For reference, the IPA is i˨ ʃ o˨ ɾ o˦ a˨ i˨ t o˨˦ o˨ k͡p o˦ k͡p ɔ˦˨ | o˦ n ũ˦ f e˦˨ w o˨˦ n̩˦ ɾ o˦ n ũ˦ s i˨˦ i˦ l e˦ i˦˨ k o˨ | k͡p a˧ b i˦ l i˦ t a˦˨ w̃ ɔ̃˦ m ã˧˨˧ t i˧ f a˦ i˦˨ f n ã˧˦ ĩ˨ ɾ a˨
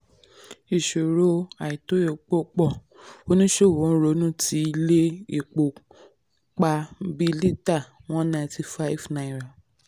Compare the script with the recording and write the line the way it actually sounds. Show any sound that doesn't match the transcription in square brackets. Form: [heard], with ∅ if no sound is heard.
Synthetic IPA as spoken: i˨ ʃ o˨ ɾ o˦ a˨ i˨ t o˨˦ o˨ k͡p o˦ k͡p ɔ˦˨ | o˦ n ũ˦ [ʃ] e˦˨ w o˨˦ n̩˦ ɾ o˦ n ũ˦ [t] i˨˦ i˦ l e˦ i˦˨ [k͡p] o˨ | k͡p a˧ b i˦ l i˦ t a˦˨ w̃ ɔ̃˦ [n] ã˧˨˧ t i˧ f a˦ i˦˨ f n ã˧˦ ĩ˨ ɾ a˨